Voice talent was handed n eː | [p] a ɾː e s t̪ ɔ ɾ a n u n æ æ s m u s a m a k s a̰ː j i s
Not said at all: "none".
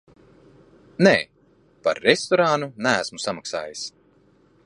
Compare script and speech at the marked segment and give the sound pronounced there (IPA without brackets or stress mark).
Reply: p